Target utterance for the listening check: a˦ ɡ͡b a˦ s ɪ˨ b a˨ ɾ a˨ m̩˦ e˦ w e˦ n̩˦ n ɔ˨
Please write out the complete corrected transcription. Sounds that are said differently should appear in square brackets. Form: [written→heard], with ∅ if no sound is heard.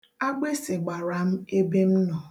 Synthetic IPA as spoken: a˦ ɡ͡b [a˦→e˦] s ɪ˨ [b→ɡ͡b] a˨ ɾ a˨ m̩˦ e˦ [w→b] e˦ [n̩˦→m̩˦] n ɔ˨